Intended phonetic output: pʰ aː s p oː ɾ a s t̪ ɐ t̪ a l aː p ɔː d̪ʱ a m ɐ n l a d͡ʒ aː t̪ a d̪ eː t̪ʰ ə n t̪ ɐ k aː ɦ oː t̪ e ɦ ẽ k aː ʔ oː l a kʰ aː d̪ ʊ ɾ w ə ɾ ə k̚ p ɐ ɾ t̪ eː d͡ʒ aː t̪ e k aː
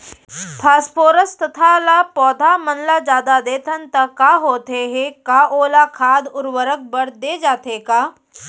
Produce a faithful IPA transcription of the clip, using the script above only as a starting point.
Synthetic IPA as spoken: pʰ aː s p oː ɾ ə s t̪ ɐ t̪ʰ a l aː p ɔː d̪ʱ a m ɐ n l a d͡ʒ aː d̪ a d̪ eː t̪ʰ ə n t̪ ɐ k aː ɦ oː t̪ e ɦ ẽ k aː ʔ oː l a kʰ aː d̪ ʊ ɾ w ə ɾ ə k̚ b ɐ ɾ d̪ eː d͡ʒ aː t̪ e k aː